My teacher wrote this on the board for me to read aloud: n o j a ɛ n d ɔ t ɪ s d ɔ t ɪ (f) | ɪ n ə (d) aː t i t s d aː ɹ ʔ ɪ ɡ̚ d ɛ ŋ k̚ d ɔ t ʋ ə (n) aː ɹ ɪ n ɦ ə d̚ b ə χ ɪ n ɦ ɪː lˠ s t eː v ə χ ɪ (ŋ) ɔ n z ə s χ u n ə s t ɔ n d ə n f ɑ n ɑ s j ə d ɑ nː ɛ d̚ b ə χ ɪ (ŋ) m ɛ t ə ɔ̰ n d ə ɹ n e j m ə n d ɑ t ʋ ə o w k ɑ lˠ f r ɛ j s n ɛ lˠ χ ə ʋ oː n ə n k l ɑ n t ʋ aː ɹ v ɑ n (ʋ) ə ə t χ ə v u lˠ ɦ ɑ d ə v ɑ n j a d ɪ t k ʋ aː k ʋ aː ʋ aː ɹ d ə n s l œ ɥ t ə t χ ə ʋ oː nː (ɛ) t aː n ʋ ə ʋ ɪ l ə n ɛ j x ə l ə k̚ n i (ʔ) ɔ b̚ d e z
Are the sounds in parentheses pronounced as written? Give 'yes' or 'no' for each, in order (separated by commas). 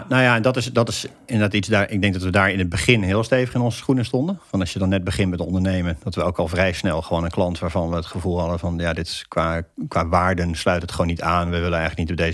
no, yes, no, no, no, yes, no, no